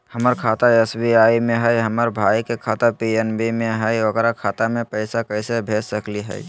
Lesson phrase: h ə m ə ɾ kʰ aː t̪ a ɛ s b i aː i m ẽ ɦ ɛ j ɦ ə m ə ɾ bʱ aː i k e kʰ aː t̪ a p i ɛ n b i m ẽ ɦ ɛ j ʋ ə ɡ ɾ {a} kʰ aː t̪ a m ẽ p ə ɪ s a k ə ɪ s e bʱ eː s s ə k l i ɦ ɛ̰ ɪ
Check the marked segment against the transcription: correct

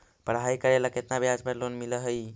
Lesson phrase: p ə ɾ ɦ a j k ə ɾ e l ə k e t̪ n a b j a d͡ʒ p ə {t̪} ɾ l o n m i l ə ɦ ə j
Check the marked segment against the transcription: incorrect: none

